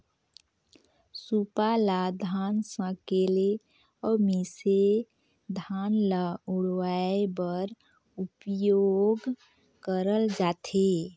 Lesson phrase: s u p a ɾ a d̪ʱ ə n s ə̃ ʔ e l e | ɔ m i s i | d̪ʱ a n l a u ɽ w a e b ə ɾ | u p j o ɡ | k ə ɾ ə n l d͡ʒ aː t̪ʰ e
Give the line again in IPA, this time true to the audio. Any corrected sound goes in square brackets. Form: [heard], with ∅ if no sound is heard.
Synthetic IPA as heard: s u p a [l] a d̪ʱ [a] n s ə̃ [k] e l e | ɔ m i s [e] | d̪ʱ a n l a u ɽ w a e b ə ɾ | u p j o ɡ | k ə ɾ ə [∅] l d͡ʒ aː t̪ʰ e